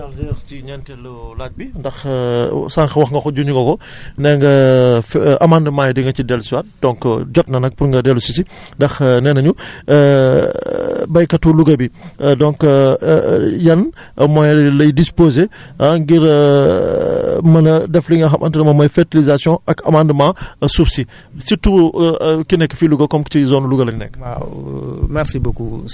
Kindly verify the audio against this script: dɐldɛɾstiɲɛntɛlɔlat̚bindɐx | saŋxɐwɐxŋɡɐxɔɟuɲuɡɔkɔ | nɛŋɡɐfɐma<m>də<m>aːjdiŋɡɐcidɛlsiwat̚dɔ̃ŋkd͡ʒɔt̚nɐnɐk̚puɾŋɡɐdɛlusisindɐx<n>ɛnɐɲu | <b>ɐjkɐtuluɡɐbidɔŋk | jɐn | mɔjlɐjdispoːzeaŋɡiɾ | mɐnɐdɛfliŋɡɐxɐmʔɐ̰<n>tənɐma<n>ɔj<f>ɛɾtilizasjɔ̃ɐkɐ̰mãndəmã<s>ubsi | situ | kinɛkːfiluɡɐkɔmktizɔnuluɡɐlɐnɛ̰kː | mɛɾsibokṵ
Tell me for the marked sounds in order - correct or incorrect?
incorrect: n, correct, correct, correct, correct, incorrect: m, correct, correct

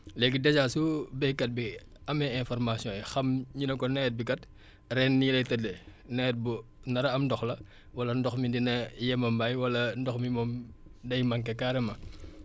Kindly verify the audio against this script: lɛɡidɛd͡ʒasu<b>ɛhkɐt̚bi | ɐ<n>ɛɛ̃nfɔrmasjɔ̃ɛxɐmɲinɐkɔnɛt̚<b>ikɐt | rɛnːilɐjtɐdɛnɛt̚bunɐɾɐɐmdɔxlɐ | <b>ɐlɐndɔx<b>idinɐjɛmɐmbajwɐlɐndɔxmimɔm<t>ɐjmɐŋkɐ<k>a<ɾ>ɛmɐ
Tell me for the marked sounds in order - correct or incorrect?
correct, incorrect: m, correct, incorrect: w, incorrect: m, incorrect: d, correct, correct

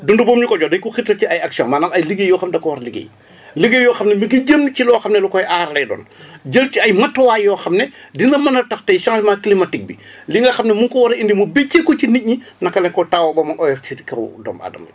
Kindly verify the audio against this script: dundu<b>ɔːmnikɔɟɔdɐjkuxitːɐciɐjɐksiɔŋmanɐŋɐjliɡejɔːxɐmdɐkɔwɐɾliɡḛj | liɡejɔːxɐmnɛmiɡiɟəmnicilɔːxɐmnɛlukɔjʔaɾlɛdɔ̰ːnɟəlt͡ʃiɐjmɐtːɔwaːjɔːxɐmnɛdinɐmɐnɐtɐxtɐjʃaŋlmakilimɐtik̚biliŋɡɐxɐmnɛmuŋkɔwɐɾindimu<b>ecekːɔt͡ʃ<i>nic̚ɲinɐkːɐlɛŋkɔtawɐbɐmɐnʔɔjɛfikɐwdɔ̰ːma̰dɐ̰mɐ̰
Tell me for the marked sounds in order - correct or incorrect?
correct, correct, correct

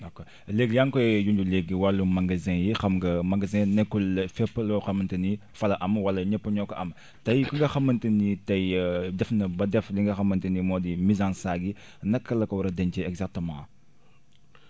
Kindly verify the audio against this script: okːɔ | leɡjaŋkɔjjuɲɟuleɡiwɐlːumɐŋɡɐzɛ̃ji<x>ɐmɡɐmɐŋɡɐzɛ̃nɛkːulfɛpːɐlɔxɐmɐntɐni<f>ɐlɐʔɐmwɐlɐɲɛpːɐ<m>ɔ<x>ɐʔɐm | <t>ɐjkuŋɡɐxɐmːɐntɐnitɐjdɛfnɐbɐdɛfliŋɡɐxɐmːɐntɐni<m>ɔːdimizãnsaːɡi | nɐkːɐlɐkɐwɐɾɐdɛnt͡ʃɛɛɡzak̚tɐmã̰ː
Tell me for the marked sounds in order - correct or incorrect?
correct, correct, incorrect: ɲ, incorrect: k, correct, correct

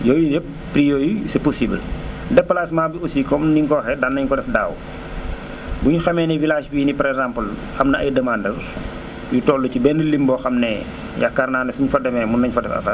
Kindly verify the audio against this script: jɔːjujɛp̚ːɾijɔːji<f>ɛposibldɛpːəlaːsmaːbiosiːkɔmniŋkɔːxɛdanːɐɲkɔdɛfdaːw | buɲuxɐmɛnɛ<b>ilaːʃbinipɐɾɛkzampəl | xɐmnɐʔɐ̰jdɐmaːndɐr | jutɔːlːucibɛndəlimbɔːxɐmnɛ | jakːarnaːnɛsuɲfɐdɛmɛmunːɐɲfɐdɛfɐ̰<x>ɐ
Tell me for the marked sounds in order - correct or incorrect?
incorrect: s, incorrect: v, incorrect: f

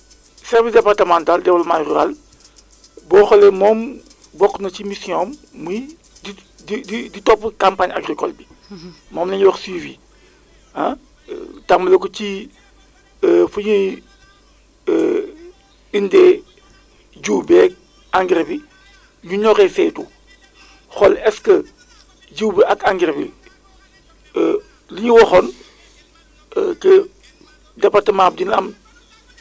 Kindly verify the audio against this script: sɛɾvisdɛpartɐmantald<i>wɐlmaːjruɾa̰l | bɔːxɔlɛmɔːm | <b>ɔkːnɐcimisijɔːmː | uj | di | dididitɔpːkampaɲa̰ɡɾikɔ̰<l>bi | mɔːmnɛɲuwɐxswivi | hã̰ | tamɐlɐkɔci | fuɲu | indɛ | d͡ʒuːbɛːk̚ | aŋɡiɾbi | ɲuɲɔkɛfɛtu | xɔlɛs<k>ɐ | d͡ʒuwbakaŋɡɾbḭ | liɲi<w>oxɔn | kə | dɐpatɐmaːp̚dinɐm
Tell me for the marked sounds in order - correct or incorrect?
incorrect: ɛ, correct, correct, correct, correct

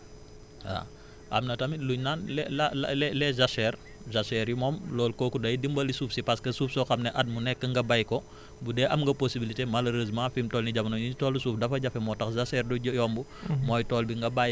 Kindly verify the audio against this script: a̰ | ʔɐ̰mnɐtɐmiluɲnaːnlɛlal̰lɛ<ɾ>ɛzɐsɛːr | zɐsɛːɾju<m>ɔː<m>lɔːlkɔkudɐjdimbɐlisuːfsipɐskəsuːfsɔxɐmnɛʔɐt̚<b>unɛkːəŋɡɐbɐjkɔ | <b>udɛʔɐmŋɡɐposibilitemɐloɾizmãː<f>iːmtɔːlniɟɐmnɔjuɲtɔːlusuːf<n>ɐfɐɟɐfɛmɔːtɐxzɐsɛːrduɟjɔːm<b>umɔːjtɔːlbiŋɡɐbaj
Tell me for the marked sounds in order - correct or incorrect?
incorrect: l, correct, correct, incorrect: m, correct, correct, incorrect: d, correct

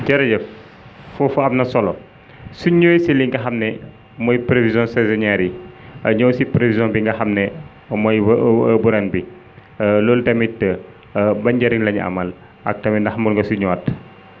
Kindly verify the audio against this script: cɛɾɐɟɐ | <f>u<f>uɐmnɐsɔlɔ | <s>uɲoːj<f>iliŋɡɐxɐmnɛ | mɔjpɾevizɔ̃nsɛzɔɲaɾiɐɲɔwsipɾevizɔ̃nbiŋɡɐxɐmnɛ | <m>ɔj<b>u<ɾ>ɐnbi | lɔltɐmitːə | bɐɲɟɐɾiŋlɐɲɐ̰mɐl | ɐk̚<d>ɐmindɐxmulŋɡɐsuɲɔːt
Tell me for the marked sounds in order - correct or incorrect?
correct, correct, correct, incorrect: s, correct, correct, correct, incorrect: t

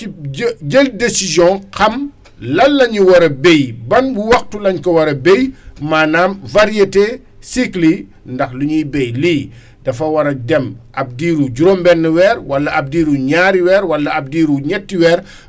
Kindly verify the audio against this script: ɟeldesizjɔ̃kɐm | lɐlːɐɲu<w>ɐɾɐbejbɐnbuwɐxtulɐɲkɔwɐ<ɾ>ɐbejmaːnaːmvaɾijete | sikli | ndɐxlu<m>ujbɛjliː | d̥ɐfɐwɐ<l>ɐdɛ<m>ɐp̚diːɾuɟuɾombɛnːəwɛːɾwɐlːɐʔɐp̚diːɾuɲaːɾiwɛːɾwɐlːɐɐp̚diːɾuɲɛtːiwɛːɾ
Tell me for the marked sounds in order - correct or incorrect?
correct, correct, incorrect: ɲ, incorrect: ɾ, correct

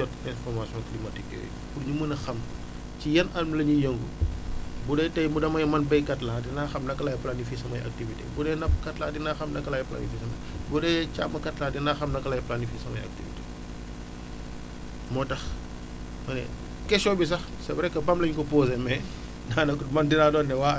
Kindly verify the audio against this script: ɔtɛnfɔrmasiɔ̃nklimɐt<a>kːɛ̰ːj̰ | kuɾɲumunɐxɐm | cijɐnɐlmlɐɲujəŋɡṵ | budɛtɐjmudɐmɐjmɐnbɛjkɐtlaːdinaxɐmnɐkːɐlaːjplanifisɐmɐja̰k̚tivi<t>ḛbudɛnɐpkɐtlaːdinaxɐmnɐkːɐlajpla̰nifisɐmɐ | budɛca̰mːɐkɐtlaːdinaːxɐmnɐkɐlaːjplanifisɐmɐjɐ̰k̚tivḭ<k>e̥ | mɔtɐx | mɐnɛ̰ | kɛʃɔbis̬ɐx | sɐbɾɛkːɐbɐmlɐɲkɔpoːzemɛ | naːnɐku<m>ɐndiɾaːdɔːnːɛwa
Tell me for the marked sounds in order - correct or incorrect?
incorrect: i, correct, incorrect: t, correct

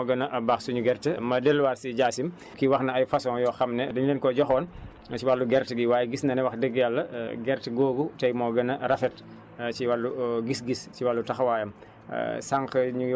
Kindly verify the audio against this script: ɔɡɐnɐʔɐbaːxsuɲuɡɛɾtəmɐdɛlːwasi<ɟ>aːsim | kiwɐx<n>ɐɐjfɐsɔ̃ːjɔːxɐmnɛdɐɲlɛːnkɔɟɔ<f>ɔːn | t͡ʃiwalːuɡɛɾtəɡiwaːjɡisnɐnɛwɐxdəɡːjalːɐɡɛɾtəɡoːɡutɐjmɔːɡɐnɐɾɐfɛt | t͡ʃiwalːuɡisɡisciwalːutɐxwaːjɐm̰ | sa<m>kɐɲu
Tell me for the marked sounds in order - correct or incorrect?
correct, correct, incorrect: x, incorrect: ŋ

